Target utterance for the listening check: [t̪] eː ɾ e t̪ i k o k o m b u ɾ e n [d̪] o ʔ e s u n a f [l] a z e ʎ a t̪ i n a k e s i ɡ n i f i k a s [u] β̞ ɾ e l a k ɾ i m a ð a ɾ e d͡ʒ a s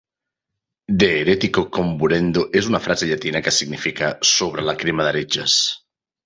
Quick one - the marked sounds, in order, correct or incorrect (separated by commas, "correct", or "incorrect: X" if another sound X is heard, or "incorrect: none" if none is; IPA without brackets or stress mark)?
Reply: incorrect: d̪, correct, incorrect: ɾ, incorrect: o